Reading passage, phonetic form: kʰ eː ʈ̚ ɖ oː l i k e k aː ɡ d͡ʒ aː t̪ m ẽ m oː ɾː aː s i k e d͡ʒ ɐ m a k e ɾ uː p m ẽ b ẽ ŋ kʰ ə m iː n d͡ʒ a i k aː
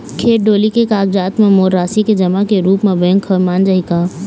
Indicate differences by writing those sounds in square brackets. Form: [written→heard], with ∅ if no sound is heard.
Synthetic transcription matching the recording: kʰ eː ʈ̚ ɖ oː l i k e k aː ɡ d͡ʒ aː t̪ m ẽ m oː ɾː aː s i k e d͡ʒ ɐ m a k e ɾ uː p m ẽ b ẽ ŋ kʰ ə m [iː→aː] n d͡ʒ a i k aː